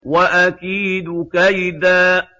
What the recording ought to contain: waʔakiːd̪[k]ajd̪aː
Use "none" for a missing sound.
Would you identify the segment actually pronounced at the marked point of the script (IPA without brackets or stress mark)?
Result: k